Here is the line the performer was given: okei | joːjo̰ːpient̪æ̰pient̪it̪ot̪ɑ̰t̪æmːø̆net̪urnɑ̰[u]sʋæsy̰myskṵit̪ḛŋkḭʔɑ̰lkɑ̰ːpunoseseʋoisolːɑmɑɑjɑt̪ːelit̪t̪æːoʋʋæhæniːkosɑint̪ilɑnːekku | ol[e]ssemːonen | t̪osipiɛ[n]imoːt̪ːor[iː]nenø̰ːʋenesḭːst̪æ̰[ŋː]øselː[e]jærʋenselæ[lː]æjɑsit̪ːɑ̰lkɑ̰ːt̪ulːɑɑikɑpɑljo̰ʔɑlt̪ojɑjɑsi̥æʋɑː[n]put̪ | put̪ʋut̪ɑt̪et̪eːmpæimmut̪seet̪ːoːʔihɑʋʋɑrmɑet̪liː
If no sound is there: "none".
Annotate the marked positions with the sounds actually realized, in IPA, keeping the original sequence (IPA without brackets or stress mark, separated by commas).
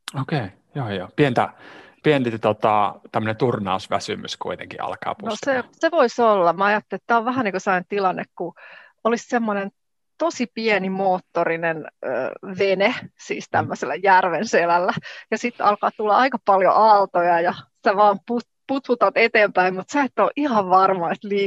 u, i, n, i, mː, æ, lː, m